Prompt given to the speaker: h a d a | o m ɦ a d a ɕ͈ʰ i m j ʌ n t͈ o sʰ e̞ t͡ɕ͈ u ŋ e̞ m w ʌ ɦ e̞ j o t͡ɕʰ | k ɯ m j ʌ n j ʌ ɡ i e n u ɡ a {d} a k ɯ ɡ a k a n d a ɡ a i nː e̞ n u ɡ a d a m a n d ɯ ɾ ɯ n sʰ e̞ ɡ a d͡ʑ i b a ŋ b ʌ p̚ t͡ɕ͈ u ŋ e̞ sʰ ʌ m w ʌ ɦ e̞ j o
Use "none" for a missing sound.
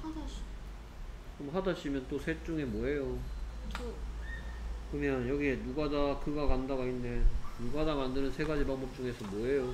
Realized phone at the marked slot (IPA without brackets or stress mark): d